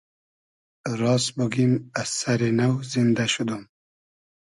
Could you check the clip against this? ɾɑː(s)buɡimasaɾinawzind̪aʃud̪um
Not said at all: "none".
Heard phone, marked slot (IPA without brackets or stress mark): s